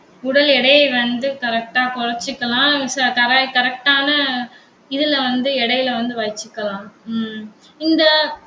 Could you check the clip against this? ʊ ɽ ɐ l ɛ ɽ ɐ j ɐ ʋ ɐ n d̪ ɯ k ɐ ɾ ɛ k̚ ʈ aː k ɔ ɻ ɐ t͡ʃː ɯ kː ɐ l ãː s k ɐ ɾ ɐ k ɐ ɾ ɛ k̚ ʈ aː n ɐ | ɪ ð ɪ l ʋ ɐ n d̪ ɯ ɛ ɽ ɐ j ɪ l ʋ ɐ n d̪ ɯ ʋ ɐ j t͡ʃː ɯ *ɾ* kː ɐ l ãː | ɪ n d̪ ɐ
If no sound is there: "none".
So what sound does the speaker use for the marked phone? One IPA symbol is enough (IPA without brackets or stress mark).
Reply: none